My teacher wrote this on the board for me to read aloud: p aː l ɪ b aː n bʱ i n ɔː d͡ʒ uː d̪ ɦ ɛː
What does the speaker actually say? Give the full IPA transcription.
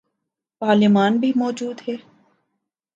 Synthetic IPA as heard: p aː l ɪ m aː n bʱ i m ɔː d͡ʒ uː d̪ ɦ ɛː